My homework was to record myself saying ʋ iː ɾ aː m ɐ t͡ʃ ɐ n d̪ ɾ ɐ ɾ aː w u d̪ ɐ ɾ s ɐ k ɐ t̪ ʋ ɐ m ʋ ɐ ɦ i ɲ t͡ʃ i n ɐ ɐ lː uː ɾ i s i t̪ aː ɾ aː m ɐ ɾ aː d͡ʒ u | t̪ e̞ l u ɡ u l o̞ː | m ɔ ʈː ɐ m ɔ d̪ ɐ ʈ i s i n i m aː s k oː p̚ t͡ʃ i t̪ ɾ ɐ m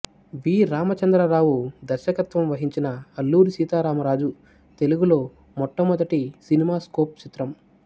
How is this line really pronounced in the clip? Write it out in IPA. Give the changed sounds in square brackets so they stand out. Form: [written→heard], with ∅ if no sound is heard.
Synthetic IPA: ʋ iː ɾ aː m ɐ t͡ʃ ɐ n d̪ ɾ ɐ ɾ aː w u d̪ ɐ ɾ [s→ʃ] ɐ k ɐ t̪ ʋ ɐ m ʋ ɐ ɦ i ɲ t͡ʃ i n ɐ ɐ lː uː ɾ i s [i→iː] t̪ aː ɾ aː m ɐ ɾ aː d͡ʒ u | t̪ e̞ l u ɡ u l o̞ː | m ɔ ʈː ɐ m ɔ d̪ ɐ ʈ i s i n i m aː s k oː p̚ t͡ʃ i t̪ ɾ ɐ m